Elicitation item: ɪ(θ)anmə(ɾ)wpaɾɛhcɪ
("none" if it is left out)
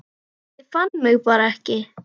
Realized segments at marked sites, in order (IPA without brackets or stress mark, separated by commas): f, none